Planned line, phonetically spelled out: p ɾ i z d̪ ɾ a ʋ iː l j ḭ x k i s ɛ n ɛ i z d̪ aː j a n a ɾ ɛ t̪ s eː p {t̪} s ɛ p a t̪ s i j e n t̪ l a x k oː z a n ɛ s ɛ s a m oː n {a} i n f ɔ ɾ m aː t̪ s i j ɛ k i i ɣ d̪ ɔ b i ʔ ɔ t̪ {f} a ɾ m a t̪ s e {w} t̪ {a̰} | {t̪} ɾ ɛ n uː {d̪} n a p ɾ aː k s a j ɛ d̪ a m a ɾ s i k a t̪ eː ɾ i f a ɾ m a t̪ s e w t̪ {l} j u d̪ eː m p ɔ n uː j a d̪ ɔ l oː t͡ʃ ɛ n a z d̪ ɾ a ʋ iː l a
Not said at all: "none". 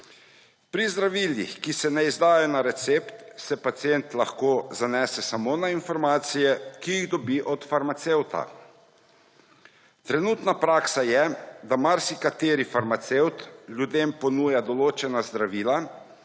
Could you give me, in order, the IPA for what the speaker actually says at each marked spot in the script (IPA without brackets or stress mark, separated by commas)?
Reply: t̪, a, f, w, a̰, t̪, t̪, l